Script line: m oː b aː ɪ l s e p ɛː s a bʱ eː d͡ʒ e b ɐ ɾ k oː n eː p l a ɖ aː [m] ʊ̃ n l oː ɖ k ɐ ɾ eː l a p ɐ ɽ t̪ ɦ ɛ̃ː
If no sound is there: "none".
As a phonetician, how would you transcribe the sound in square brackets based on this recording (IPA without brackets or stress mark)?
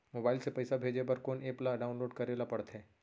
none